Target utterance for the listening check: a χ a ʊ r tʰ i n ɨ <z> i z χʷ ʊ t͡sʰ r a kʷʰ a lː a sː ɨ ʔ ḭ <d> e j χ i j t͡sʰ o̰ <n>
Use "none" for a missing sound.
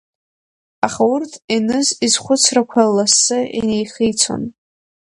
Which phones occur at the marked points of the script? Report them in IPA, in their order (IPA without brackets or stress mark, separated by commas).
z, n, n